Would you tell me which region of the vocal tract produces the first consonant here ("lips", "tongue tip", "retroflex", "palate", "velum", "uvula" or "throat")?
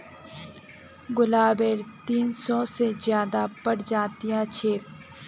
velum